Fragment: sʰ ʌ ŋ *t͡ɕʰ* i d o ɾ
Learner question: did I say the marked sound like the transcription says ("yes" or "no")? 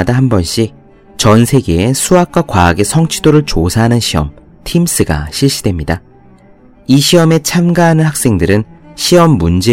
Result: yes